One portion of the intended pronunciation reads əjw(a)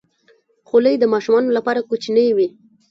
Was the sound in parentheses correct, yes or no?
no